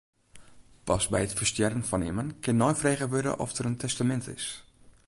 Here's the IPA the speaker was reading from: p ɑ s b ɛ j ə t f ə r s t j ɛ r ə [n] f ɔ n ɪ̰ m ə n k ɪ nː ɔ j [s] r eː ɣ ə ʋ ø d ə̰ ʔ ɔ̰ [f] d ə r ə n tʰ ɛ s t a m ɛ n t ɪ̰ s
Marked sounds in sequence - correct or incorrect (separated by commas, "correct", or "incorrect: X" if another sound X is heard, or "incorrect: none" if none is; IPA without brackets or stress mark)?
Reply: correct, incorrect: f, correct